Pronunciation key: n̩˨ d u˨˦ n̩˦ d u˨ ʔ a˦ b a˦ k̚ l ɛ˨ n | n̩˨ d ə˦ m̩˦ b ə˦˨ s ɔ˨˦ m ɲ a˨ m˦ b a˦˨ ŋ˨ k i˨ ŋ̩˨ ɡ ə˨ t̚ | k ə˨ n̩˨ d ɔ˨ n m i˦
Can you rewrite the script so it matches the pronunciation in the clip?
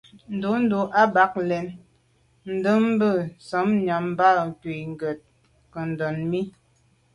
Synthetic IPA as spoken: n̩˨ d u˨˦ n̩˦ d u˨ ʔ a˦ b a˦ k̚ l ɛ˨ n | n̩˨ d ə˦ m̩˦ b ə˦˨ s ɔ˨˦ m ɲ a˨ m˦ b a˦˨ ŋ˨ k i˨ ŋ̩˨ ɡ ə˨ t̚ | k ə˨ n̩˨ d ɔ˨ n m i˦